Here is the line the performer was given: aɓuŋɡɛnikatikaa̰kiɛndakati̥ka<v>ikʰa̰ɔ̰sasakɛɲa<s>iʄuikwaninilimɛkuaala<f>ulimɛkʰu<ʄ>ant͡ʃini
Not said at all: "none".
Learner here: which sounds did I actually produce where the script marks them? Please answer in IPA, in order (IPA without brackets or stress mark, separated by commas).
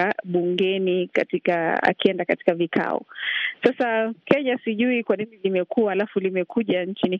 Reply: v, s, f, ʄ